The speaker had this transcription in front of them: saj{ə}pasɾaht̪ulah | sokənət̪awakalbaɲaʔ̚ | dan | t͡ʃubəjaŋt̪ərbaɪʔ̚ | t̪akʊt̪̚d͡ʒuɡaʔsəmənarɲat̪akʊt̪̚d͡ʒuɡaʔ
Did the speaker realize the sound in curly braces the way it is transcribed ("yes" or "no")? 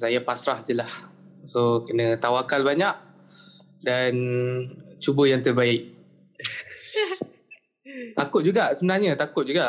no